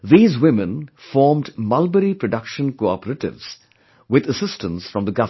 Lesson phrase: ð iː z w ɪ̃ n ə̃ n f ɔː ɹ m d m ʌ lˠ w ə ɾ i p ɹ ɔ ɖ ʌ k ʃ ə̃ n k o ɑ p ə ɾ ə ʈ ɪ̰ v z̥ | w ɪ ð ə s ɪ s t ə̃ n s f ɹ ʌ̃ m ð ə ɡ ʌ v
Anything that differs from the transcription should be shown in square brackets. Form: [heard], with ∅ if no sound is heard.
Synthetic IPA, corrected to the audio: ð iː z w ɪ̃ [m] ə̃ n f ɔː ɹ m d m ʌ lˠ [b] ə ɾ i p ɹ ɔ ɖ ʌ k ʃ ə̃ n k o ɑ p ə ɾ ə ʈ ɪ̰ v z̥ | w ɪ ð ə s ɪ s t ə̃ n s f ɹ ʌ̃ m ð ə ɡ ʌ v